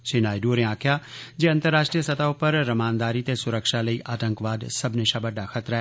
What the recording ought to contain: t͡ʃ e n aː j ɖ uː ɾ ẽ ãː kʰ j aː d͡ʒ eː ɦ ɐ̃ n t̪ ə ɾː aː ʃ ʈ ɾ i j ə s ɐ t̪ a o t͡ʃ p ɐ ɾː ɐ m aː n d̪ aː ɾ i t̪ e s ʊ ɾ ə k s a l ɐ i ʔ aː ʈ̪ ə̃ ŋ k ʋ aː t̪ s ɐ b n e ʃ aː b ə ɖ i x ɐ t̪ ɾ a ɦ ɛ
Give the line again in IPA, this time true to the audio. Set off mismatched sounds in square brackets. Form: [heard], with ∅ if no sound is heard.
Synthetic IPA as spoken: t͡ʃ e n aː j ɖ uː ɾ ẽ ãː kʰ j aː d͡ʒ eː [∅] ɐ̃ n t̪ ə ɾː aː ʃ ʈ ɾ i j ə s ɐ t̪ a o [∅] p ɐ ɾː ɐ m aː n d̪ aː ɾ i t̪ e s ʊ ɾ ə k [ʃ] a l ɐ i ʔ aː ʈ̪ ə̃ ŋ k ʋ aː [d̪] s ɐ b n e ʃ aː b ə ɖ [a] x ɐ t̪ ɾ a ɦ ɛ